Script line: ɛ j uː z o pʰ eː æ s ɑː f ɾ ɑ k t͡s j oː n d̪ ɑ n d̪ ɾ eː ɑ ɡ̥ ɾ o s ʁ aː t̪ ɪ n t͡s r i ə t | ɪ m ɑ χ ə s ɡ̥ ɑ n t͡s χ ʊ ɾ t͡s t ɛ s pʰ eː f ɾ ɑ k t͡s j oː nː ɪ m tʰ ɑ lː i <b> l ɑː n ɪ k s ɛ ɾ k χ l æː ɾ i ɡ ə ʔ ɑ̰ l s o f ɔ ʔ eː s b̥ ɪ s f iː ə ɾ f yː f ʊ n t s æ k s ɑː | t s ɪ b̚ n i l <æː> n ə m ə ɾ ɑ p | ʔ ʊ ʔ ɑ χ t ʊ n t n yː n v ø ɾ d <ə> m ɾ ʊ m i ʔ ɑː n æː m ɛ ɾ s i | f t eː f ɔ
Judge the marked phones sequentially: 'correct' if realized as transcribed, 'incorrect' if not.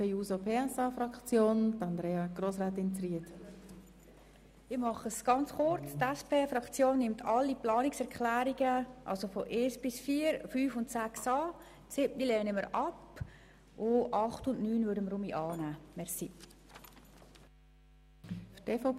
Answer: incorrect: p, incorrect: ɛː, correct

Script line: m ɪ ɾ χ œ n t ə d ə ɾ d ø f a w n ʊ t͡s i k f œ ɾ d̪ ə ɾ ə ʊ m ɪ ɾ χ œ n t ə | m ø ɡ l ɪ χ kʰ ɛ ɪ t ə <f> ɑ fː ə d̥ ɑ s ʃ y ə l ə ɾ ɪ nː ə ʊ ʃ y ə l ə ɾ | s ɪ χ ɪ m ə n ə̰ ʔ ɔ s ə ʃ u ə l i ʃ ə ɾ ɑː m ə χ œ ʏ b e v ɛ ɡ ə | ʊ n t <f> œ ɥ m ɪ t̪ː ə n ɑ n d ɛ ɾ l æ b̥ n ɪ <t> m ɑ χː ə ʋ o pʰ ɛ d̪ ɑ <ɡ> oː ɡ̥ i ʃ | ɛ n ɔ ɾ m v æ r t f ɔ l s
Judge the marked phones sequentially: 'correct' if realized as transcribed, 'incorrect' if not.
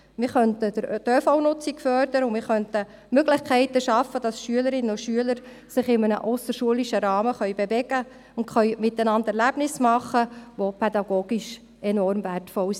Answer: incorrect: ʃ, incorrect: χ, incorrect: s, correct

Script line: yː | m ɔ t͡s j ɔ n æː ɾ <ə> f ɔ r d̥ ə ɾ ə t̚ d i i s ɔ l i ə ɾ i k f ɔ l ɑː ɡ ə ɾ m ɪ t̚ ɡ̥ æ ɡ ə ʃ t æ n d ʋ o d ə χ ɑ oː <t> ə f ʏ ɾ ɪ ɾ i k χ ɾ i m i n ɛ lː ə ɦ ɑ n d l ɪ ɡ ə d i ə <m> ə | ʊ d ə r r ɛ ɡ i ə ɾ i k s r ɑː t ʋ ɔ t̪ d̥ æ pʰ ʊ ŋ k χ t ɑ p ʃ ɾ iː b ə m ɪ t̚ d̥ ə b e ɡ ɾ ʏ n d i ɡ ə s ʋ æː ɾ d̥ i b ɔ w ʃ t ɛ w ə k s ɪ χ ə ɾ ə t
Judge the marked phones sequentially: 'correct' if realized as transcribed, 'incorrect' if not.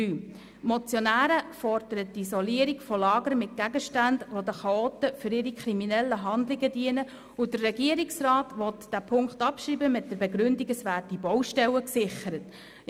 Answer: correct, correct, incorrect: n

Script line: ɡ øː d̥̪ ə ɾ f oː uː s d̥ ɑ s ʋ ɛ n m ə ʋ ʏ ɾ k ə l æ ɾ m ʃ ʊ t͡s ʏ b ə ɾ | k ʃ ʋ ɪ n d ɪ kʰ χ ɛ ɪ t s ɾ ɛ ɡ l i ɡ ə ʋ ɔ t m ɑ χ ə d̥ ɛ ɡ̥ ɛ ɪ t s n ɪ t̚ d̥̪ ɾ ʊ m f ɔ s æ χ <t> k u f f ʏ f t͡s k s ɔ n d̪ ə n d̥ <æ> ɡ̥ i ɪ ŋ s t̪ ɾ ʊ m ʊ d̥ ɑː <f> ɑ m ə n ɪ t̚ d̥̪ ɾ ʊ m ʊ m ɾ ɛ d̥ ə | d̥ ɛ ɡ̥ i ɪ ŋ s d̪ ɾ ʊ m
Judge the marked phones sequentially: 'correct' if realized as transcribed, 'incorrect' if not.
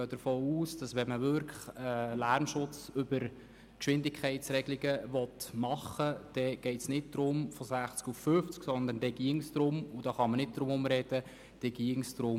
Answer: incorrect: t͡s, incorrect: ɛ, incorrect: χ

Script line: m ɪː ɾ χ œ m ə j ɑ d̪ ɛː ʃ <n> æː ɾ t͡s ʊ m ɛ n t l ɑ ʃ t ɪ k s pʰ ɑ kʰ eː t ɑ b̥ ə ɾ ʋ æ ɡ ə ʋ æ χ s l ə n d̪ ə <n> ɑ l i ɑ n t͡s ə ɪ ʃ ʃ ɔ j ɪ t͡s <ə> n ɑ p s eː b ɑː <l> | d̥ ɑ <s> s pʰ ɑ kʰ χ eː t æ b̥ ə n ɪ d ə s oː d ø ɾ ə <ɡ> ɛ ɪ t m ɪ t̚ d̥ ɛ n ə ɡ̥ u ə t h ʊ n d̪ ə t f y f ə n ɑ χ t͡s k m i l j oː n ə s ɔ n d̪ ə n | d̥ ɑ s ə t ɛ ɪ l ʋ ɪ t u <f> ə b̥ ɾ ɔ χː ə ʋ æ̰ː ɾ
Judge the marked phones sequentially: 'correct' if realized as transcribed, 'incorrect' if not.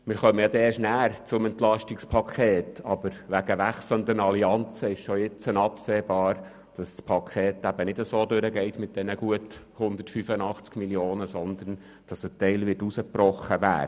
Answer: correct, correct, correct, incorrect: ɾ, correct, correct, incorrect: s

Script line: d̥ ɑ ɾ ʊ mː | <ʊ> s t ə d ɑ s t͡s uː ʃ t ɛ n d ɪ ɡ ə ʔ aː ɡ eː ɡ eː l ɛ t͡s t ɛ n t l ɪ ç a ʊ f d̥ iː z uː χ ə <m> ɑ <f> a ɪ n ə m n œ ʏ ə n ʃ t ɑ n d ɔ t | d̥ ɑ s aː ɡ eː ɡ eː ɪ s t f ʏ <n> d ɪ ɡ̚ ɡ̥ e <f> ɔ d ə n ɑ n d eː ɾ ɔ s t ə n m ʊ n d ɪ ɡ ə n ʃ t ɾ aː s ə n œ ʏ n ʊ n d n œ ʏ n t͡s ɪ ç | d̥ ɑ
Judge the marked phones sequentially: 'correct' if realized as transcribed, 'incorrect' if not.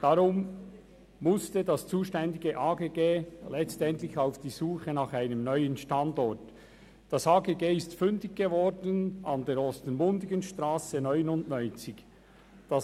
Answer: correct, incorrect: n, incorrect: χ, correct, incorrect: v

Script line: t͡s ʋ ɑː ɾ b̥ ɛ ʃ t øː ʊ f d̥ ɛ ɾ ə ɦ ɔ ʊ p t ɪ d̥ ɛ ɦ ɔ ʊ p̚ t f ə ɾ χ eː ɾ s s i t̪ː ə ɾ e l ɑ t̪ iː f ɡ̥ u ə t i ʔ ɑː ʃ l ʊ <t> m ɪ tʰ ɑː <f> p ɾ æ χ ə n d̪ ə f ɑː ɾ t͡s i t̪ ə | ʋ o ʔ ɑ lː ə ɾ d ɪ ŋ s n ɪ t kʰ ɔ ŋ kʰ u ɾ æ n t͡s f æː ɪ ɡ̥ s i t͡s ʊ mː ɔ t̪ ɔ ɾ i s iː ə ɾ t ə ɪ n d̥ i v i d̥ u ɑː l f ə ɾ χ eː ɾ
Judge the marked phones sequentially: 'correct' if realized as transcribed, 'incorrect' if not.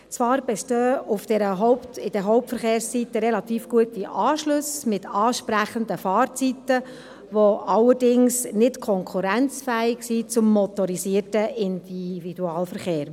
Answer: incorrect: s, incorrect: ʃ

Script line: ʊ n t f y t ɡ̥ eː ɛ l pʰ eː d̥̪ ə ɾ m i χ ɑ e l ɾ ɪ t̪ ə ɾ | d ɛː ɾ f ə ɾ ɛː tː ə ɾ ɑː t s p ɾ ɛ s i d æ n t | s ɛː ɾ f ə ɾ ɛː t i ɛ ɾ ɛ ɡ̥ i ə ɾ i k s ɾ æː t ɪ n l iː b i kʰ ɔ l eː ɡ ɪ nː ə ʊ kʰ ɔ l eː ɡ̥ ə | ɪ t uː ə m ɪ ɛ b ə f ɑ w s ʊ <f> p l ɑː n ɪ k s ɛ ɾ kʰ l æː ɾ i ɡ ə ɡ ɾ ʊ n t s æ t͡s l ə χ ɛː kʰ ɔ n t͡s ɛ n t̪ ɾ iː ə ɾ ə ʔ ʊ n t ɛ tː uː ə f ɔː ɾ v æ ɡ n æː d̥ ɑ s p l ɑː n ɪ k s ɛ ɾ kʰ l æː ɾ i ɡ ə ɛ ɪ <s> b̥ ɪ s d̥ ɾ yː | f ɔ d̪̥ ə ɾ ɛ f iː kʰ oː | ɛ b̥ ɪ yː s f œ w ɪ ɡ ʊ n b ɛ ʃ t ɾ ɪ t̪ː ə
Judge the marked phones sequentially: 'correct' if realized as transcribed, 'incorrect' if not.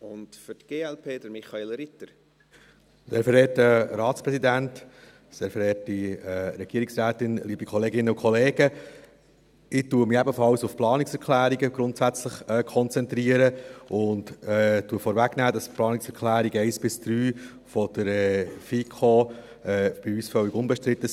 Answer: correct, correct

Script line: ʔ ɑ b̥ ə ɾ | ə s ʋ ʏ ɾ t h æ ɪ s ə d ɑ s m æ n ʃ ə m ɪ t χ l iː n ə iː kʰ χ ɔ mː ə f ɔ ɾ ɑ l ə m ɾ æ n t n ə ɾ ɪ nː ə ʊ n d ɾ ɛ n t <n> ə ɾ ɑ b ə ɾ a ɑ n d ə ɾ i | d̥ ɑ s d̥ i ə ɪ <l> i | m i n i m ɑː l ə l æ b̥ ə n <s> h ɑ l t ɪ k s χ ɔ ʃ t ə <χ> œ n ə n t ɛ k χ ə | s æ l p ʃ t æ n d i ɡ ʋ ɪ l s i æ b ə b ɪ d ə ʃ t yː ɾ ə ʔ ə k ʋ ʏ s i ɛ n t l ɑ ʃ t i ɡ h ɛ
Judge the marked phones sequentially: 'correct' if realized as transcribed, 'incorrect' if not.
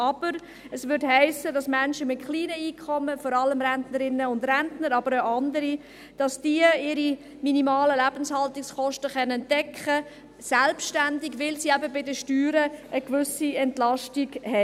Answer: correct, incorrect: ɾ, correct, correct

